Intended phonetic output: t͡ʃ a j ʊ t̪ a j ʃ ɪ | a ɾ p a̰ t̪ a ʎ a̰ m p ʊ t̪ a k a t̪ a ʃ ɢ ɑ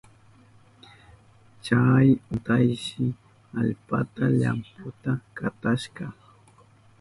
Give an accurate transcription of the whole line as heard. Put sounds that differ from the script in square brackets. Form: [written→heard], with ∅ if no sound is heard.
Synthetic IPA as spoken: t͡ʃ a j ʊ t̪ a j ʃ ɪ | a [ɾ→ʎ] p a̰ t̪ a ʎ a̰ m p ʊ t̪ a k a t̪ a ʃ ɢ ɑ

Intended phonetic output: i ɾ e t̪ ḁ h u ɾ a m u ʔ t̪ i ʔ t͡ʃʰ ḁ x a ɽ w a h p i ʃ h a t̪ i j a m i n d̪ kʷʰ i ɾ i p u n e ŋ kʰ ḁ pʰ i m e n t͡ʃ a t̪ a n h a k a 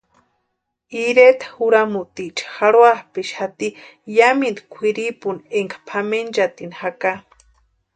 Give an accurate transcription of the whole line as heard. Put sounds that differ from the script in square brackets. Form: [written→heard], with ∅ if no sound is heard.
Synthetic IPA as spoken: i ɾ e t̪ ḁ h u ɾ a m u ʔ t̪ i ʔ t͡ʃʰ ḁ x a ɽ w a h p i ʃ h a t̪ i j a m i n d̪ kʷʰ i ɾ i p u n e ŋ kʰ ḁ pʰ [i→a] m e n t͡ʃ a t̪ [a→i] n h a k a

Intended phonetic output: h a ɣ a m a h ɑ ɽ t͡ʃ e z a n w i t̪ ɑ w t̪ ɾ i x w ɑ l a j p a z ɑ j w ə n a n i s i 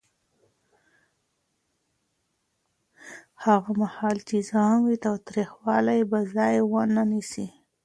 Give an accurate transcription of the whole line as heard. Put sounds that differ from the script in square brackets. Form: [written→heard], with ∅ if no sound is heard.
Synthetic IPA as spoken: h a ɣ a m a h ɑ [ɽ→l] t͡ʃ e z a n w i t̪ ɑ w t̪ ɾ i x w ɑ l a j [p→b] a z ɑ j w ə n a n i s i

